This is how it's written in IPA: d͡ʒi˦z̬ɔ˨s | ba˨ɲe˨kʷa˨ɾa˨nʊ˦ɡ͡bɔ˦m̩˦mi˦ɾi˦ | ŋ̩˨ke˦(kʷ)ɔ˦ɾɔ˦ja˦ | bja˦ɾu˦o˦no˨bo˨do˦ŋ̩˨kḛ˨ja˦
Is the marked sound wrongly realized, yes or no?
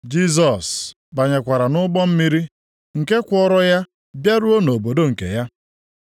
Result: no